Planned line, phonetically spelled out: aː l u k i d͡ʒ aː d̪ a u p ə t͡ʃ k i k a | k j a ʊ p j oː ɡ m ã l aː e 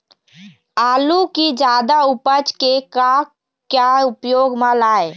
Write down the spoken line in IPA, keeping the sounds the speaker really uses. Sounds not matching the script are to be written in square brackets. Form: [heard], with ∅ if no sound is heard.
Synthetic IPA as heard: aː l u k i d͡ʒ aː d̪ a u p ə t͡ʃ k [e] k a | k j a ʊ p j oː ɡ m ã l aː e